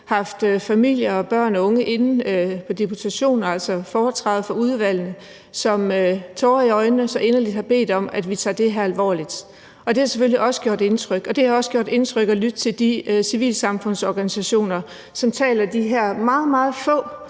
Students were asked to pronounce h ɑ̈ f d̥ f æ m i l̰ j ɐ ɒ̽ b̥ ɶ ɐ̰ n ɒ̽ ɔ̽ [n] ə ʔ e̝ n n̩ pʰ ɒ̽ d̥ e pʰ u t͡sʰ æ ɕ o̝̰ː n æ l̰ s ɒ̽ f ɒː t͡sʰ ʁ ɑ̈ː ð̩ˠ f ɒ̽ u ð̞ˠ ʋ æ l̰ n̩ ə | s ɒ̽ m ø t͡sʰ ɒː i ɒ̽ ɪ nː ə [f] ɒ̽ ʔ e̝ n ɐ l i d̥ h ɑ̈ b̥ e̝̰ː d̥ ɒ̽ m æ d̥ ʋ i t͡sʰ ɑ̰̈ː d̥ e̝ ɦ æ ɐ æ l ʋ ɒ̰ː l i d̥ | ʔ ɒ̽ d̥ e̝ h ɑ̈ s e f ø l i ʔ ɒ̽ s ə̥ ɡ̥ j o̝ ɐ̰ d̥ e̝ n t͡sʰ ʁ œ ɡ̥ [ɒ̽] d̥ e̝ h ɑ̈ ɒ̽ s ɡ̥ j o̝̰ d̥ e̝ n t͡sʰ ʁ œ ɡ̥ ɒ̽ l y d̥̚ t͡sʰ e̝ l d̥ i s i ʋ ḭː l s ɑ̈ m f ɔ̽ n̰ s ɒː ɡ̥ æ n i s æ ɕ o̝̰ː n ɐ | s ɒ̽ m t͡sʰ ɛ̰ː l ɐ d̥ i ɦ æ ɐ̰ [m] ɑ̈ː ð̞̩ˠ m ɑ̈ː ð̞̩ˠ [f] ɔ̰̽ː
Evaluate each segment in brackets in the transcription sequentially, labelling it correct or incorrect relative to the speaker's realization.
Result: incorrect, incorrect, correct, correct, correct

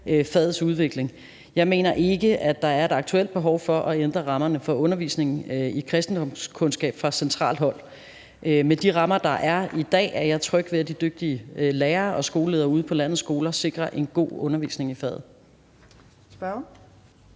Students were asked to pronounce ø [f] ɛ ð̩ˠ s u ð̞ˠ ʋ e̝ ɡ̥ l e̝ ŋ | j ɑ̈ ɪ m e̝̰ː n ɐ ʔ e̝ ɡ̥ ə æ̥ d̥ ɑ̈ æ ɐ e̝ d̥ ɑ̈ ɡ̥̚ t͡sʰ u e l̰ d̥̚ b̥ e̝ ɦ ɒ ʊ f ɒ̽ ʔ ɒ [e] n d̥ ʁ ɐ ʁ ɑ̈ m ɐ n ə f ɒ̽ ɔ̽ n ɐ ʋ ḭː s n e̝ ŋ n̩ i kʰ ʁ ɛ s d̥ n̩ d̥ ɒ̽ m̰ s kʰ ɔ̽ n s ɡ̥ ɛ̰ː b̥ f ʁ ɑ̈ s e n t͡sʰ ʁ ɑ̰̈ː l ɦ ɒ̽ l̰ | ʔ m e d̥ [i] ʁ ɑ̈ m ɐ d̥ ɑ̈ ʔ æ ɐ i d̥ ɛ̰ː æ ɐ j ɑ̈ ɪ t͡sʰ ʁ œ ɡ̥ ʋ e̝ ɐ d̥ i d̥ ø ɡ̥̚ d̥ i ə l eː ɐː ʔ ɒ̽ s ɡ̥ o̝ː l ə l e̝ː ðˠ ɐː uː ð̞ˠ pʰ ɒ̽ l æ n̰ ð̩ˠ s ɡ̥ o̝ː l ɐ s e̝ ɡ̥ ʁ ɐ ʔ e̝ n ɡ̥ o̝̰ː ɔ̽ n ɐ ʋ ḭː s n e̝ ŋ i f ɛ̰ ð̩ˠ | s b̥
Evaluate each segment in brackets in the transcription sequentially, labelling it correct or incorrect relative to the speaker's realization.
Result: correct, correct, correct

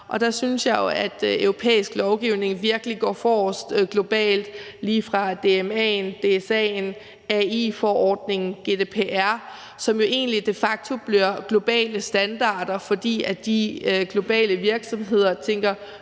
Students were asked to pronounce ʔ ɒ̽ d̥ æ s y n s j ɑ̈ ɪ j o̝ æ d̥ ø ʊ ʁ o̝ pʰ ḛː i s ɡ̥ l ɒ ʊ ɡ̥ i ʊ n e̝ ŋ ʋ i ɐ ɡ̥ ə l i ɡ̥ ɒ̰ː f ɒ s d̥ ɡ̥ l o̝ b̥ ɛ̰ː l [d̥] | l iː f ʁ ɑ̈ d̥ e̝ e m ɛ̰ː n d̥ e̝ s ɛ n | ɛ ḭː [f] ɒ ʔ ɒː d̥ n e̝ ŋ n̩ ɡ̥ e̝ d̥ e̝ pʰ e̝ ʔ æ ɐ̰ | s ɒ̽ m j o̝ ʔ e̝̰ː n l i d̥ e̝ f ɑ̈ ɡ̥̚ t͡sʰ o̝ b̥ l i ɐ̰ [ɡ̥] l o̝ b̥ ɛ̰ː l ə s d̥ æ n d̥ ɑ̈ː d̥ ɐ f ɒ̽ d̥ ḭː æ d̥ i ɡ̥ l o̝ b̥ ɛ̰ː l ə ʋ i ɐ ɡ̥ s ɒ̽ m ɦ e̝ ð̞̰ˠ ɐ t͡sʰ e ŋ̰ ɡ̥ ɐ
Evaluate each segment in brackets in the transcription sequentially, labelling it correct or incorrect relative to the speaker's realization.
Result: correct, correct, correct

